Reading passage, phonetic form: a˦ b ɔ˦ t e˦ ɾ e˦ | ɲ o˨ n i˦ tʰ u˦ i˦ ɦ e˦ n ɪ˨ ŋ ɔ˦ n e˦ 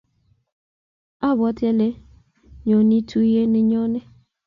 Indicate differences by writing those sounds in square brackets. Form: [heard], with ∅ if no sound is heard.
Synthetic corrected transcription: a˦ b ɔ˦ t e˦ [l] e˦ | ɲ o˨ n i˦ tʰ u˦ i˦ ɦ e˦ n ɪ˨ [ɲ] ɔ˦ n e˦